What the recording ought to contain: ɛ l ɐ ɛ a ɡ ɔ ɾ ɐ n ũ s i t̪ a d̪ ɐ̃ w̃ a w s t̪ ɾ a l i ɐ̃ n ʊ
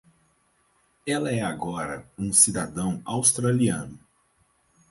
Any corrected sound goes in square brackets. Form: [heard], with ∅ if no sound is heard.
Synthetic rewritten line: ɛ l ɐ ɛ a ɡ ɔ ɾ ɐ [∅] ũ s i [d̪] a d̪ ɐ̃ w̃ a w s t̪ ɾ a l i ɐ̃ n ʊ